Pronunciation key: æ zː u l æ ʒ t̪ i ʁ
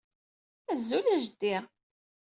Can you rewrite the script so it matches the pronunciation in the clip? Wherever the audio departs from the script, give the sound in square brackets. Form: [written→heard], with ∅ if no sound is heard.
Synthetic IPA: æ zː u l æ ʒ [t̪→d̪] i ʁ